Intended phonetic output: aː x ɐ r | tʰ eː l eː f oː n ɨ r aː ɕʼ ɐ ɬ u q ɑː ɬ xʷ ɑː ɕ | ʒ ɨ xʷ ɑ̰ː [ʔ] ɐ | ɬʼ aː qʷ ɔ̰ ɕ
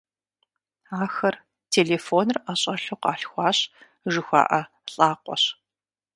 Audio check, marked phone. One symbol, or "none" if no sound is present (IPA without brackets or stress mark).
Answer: ʔ